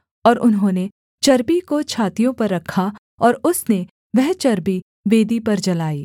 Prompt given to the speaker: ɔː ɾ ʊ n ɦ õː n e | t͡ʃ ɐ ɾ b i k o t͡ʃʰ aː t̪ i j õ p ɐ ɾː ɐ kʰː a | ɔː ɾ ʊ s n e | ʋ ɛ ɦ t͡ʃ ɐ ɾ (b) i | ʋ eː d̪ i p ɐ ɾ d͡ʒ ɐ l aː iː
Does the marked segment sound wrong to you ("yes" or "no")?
no